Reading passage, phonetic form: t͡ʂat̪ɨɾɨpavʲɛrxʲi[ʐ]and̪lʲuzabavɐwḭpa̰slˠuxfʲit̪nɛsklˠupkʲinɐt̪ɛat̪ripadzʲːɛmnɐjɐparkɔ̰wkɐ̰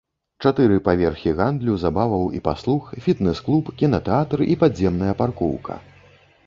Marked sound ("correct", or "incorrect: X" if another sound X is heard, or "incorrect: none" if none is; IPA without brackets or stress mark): incorrect: ɣ